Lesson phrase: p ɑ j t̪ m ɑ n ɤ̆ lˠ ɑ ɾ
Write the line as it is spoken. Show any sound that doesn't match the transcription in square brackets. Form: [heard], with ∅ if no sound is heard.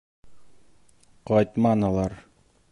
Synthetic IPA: [q] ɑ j t̪ m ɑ n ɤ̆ lˠ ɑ ɾ